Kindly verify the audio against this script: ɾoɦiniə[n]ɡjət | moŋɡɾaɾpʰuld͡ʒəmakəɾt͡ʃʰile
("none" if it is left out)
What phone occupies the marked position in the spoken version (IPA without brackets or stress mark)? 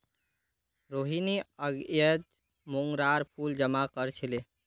none